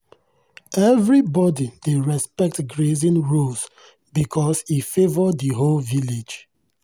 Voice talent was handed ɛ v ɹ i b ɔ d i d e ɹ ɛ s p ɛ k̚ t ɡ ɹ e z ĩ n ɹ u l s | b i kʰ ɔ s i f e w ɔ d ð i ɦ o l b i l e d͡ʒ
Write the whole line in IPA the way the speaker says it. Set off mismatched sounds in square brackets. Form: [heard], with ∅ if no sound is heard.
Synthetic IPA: ɛ v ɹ i b ɔ d i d e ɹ ɛ s p ɛ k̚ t ɡ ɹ e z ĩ n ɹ u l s | b i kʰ ɔ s i f e [v] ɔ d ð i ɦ o l [v] i l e d͡ʒ